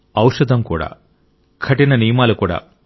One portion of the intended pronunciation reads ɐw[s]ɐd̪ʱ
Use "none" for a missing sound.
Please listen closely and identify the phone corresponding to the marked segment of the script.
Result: ʂ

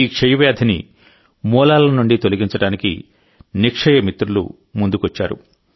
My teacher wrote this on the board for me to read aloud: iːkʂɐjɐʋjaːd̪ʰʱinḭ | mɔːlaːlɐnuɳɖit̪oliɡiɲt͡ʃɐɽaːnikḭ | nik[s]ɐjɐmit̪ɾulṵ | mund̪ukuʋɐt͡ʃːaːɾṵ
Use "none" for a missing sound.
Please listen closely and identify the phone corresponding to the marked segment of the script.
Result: ʂ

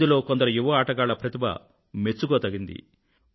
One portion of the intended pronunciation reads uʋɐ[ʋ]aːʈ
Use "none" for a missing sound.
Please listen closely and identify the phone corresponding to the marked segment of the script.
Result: none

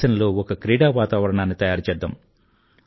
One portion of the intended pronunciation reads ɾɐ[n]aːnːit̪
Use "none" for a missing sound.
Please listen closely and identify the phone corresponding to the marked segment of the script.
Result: ɳ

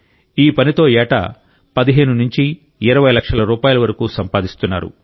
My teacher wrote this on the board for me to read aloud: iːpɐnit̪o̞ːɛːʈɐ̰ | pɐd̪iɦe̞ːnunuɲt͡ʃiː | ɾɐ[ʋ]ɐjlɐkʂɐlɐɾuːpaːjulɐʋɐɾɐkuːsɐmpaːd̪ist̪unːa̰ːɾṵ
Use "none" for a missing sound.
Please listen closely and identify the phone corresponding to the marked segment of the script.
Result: ʋ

